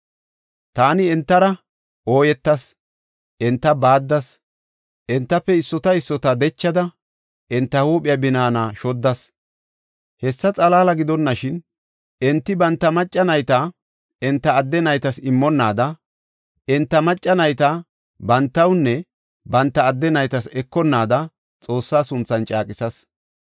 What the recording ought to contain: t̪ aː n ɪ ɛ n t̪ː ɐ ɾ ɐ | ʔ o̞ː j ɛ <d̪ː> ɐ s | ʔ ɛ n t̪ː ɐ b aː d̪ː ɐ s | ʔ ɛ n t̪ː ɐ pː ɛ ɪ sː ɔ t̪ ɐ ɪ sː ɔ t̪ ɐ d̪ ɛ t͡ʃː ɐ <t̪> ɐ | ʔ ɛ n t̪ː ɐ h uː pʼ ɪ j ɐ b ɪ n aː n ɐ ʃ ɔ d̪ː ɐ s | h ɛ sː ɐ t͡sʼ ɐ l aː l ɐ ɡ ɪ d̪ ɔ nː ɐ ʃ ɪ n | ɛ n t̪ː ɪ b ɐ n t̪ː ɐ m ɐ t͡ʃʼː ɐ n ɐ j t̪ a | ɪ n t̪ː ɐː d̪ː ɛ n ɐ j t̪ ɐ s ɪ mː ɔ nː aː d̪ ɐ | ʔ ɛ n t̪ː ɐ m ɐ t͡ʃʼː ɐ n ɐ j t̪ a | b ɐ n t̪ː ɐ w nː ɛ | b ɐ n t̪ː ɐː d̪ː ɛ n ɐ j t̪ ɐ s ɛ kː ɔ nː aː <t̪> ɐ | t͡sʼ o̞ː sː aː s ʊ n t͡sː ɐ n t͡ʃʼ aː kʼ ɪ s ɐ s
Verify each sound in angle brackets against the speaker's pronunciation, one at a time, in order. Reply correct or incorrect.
incorrect: t̪ː, incorrect: d̪, incorrect: d̪

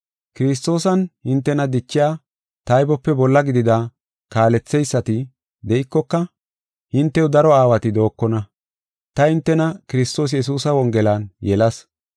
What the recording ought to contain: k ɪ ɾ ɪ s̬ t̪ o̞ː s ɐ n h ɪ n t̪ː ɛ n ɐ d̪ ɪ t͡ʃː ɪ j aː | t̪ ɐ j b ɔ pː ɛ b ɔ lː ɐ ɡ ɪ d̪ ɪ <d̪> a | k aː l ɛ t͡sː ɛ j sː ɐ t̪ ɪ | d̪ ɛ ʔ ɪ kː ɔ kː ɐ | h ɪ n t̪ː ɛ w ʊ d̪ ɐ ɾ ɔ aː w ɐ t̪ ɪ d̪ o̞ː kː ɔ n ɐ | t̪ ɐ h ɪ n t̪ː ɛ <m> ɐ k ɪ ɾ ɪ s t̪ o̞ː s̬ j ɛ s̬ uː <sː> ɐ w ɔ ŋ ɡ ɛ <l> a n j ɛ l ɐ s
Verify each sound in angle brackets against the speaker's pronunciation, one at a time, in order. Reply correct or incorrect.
correct, incorrect: n, incorrect: s, correct

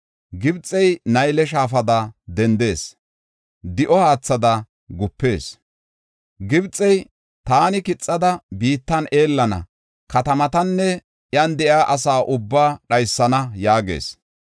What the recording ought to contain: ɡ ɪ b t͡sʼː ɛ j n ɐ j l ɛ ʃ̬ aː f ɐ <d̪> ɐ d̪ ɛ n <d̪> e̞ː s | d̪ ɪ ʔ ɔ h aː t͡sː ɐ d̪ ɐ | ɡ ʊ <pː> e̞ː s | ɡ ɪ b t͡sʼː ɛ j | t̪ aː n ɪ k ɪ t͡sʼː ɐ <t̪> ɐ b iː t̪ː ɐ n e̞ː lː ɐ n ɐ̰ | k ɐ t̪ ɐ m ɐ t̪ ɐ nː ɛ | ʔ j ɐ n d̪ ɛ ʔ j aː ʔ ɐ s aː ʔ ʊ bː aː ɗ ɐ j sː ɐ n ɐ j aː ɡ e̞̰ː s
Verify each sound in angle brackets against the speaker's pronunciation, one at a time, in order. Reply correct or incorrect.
correct, correct, correct, incorrect: d̪

